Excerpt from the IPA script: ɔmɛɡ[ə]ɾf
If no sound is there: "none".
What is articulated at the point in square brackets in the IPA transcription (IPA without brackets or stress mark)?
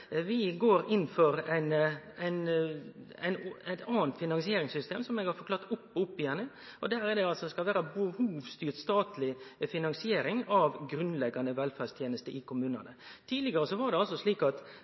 ɑ